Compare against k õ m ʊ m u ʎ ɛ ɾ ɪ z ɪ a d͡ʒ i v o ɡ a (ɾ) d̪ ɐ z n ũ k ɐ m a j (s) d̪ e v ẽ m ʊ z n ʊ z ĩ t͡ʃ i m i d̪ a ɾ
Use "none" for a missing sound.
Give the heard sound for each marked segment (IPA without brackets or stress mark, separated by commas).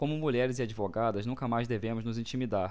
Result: none, z